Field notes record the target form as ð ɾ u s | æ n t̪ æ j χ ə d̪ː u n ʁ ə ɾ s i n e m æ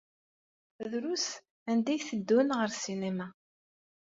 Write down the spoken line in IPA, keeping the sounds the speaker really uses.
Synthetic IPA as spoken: ð ɾ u s | æ n d̪ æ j θ ə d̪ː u n ʁ ə ɾ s i n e m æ